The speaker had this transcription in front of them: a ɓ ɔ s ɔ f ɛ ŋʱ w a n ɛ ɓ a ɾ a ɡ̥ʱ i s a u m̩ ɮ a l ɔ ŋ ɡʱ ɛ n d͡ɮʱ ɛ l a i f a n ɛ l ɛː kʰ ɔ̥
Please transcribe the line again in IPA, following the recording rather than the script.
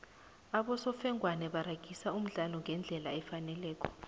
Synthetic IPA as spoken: a ɓ ɔ s ɔ f ɛ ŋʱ w a n ɛ ɓ a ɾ a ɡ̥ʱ i s a u m̩ ɮ a l ɔ ŋ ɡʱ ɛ n d͡ɮʱ ɛ l a ɛ f a n ɛ l ɛː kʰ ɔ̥

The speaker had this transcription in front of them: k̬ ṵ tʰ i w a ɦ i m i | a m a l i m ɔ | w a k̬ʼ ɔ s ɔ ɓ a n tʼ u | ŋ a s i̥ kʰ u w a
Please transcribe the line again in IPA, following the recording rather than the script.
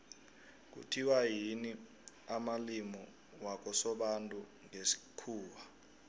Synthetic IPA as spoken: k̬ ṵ tʰ i w a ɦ i n i | a m a l i m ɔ | w a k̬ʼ ɔ s ɔ ɓ a n tʼ u | ŋ e s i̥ kʰ uː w a

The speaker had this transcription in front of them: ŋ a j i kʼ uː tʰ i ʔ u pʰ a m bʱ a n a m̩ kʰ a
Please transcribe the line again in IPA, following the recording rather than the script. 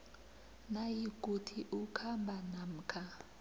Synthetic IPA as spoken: n a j i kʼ u tʰ i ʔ u kʰ a m bʱ a n a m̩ kʰ a

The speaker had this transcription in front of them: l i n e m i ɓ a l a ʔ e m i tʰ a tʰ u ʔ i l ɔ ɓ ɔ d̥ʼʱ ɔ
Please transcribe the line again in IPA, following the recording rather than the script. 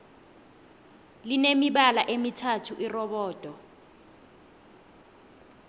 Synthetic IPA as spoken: l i n e m i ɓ a l a ʔ e m i tʰ a tʰ u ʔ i r ɔ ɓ ɔː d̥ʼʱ ɔ

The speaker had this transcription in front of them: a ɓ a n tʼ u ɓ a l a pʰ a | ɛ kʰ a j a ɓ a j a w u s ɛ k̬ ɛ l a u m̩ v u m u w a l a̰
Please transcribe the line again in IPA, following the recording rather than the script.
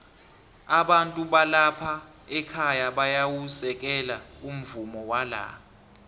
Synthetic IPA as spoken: a ɓ a n tʼ u ɓ a l a pʰ a | ɛ kʰ a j a ɓ a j a w u s ɛ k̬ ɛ l a u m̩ v u m ɔ w a l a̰

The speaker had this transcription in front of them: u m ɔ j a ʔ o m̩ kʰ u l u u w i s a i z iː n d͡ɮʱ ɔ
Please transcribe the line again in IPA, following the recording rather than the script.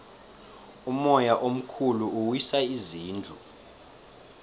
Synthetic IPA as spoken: u m ɔ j a ʔ o m̩ kʰ u l u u w i s a i z iː n d͡ɮʱ u

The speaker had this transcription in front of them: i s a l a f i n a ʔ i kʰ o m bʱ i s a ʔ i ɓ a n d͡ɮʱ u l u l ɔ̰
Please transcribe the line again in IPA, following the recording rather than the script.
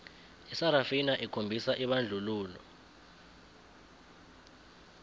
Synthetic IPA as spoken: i s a ɾ a f i n a ʔ i kʰ o m bʱ i s a ʔ i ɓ a n d͡ɮʱ u l uː l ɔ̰

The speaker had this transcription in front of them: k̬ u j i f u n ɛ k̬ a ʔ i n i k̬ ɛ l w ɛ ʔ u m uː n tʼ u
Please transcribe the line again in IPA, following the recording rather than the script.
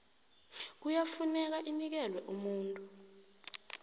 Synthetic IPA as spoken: k̬ u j a f u n ɛ k̬ a ʔ i n i k̬ ɛ l w ɛ ʔ u m uː n tʼ u

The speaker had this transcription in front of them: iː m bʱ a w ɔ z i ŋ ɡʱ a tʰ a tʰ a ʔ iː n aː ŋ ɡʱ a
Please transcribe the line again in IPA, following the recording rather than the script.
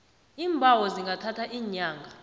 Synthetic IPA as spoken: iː m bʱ a w ɔ z i ŋ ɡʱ a tʰ a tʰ a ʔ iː ɲ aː ŋ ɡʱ a

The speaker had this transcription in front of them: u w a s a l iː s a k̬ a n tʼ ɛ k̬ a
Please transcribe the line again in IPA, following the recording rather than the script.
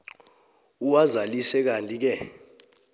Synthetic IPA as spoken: u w a z a l i s ɛ k̬ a n tʼ i k̬ ɛ

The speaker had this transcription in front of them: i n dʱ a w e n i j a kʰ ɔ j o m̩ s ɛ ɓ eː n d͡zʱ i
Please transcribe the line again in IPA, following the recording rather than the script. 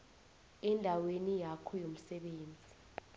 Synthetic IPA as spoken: ɛ n dʱ a w e n i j a kʰ ɔ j o m̩ s ɛ ɓ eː n d͡zʱ i

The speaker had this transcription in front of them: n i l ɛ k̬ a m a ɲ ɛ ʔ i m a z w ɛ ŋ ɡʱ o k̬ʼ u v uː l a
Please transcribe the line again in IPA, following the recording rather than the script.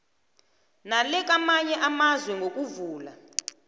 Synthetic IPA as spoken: n a l ɛ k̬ a m a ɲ ɛ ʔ a m a z w ɛ ŋ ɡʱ o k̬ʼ u v uː l a

